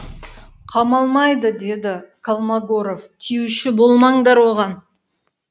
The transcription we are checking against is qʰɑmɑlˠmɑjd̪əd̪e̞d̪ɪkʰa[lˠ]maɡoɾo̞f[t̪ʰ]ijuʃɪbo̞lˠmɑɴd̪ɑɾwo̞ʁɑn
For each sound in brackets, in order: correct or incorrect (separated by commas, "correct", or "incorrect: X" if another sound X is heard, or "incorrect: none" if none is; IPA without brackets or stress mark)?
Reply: correct, correct